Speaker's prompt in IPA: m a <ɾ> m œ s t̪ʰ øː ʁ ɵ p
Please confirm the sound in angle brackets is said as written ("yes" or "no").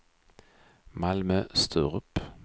no